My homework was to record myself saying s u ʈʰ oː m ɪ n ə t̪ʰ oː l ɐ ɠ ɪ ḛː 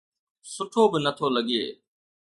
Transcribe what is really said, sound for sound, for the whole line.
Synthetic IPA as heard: s ʊ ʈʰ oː b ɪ n ə t̪ʰ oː l ə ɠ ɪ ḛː